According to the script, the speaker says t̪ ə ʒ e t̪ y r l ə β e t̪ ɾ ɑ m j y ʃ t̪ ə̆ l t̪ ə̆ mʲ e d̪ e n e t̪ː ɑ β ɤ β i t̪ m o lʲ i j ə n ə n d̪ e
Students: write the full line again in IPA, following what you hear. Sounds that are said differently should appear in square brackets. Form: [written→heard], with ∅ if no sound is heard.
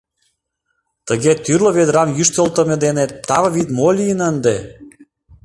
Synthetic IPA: t̪ ə [ʒ→ɣ] e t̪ y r l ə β e [t̪→d̪] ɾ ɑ m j y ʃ t̪ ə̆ l t̪ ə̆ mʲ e d̪ e n e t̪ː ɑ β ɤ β i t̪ m o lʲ i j ə n ə n d̪ e